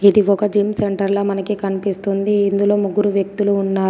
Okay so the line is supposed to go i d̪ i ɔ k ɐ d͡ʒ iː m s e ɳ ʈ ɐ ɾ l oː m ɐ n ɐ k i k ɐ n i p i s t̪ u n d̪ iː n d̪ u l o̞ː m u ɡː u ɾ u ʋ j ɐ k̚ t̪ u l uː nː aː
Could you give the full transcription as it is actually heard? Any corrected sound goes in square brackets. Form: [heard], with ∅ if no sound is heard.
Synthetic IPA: i d̪ i ɔ k ɐ d͡ʒ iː m s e ɳ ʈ ɐ ɾ l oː m ɐ n ɐ k i k ɐ n i p i s t̪ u n d̪ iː n d̪ u l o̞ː m u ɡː u ɾ u ʋ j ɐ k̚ t̪ u l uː nː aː